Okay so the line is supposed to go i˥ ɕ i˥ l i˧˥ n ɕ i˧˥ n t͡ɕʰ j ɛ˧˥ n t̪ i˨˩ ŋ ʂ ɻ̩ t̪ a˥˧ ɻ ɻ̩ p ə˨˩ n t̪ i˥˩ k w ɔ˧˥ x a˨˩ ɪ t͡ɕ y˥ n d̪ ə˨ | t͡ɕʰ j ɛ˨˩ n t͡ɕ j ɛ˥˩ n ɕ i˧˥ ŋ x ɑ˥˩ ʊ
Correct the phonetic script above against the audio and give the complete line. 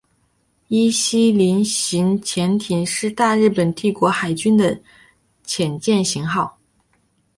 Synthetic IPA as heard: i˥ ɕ i˥ l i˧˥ n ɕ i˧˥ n t͡ɕʰ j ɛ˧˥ n t̪ʰ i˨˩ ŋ ʂ ɻ̩ t̪ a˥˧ ɻ ɻ̩ p ə˨˩ n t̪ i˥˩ k w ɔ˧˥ x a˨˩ ɪ t͡ɕ y˥ n d̪ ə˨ | t͡ɕʰ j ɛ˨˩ n t͡ɕ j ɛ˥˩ n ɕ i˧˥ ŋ x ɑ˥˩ ʊ